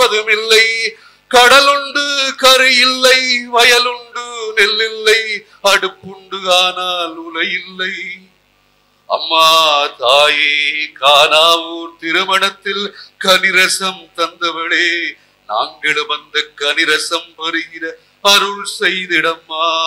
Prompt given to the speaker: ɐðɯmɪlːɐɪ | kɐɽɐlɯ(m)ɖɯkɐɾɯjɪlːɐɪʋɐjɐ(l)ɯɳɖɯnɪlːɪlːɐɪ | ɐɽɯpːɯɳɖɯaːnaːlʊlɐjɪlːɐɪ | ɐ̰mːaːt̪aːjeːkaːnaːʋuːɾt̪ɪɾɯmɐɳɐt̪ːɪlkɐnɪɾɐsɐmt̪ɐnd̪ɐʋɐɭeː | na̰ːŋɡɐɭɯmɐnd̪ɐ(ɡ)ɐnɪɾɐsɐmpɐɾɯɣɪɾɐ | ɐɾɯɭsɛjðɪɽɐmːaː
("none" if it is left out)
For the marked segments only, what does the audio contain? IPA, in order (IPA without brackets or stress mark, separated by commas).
ɳ, l, k